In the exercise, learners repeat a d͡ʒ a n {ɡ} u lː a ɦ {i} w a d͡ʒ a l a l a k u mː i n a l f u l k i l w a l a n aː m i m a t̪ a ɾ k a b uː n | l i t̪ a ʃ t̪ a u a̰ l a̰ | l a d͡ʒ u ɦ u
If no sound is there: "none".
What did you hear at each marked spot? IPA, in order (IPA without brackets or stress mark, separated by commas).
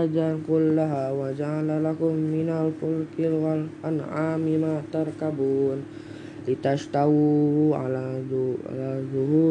k, a